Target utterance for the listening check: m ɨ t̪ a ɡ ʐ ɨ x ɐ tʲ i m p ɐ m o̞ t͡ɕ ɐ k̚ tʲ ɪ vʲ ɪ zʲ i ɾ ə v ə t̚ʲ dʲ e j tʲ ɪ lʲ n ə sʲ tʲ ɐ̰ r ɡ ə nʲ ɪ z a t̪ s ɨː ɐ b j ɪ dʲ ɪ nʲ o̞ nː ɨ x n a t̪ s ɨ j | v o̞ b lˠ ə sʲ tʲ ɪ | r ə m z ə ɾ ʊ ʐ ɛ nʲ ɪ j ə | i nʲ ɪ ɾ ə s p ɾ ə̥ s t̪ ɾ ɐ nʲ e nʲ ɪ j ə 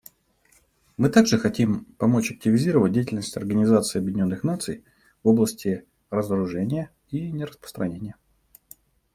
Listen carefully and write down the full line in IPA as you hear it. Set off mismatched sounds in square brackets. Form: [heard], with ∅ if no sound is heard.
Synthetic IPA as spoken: m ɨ t̪ a ɡ ʐ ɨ x ɐ tʲ i m p ɐ m o̞ t͡ɕ ɐ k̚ tʲ ɪ vʲ ɪ zʲ i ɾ ə v ə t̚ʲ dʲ e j tʲ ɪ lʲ n ə sʲ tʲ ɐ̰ r ɡ ə nʲ ɪ z a t̪ s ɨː ɐ b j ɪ dʲ ɪ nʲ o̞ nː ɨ x n a t̪ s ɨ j | v o̞ b lˠ ə sʲ tʲ ɪ | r ə [∅] z ə ɾ ʊ ʐ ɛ nʲ ɪ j ə | i nʲ ɪ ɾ ə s p ɾ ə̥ s t̪ ɾ ɐ nʲ e nʲ ɪ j ə